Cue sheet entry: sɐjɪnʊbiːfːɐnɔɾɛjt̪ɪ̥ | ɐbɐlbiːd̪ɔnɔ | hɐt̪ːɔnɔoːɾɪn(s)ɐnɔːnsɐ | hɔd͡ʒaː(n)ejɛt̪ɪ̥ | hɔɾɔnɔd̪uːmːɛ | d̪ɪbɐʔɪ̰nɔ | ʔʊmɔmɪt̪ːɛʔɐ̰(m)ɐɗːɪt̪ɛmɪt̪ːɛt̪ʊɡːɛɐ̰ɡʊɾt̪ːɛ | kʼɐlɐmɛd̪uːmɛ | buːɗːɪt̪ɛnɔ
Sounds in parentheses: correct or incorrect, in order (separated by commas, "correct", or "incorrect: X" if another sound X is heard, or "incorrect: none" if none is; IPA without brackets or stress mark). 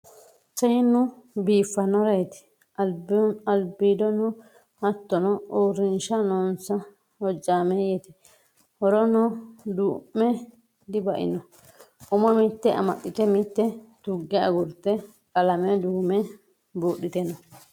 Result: incorrect: ʃ, incorrect: m, correct